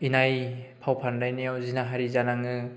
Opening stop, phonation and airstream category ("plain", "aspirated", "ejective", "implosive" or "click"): aspirated